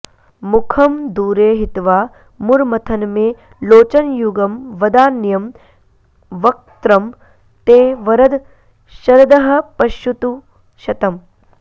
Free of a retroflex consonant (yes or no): yes